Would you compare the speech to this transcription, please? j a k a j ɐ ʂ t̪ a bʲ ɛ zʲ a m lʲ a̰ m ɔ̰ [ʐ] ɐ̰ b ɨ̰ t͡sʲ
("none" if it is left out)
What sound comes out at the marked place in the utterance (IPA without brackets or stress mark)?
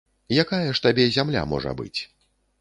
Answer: ʐ